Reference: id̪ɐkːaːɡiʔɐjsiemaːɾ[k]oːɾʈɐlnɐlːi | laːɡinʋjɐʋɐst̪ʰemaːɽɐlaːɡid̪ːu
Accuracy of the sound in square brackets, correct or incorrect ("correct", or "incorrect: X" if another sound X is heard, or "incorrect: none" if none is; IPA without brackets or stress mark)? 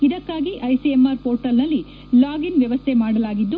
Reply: incorrect: p